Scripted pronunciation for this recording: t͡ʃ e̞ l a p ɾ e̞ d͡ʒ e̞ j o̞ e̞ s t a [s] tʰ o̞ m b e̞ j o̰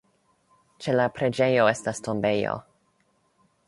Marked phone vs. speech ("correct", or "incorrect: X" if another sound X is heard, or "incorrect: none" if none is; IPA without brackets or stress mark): correct